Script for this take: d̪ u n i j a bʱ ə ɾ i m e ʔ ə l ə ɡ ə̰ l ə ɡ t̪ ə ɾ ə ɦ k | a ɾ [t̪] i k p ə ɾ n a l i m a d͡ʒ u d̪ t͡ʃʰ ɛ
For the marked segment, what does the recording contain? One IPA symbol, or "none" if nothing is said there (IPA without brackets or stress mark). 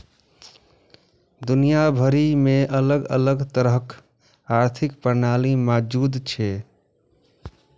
t̪ʰ